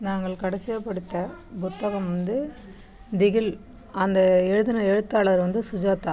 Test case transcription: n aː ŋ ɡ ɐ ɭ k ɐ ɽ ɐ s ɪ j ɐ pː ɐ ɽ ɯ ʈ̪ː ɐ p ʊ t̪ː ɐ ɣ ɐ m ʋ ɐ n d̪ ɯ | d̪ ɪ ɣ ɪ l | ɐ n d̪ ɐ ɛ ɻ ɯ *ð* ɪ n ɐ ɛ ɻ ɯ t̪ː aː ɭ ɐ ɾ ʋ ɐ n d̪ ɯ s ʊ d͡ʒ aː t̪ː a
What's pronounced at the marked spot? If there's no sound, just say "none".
ð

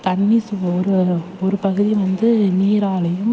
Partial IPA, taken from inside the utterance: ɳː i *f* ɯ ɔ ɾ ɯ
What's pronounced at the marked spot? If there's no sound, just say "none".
s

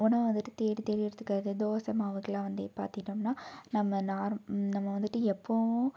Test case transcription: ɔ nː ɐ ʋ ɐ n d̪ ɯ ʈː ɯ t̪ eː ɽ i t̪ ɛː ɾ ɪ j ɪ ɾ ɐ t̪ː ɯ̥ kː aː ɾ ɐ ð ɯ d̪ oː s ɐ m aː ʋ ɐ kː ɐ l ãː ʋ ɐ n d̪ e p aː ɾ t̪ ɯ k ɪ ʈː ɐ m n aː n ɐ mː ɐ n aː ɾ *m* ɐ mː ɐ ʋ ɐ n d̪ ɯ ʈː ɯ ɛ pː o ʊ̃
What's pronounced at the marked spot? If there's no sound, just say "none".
n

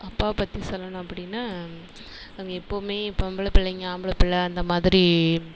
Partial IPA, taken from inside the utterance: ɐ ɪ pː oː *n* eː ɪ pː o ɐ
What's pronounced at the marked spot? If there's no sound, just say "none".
m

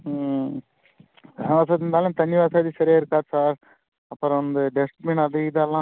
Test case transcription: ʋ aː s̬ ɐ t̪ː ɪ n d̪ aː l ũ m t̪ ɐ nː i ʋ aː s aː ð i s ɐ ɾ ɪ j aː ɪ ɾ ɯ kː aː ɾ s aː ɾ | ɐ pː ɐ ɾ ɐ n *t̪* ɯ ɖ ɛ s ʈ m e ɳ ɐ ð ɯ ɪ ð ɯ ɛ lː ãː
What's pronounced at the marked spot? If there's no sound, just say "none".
d̪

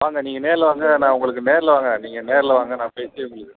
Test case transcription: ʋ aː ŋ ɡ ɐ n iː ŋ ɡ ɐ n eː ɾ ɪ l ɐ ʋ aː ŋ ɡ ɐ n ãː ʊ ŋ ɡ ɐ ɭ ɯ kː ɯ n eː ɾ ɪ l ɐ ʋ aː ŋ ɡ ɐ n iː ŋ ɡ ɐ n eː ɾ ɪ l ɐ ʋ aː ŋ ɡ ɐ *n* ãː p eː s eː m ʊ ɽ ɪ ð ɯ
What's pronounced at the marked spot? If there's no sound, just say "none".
n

